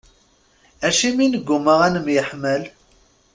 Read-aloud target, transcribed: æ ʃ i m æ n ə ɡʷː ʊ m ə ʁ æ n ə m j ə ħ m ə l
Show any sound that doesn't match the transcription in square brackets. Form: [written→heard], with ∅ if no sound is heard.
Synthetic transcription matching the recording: æ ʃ i m [æ→i] n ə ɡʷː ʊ m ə ʁ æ n ə m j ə ħ m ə l